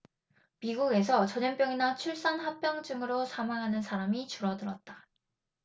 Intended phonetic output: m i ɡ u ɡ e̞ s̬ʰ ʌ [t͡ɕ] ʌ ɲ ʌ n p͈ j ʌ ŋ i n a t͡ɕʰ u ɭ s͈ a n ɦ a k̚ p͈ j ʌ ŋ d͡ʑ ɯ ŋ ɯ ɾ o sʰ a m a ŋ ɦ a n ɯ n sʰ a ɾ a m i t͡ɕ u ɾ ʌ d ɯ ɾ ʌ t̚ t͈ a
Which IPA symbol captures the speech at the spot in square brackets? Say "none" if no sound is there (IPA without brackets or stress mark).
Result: t͡ɕ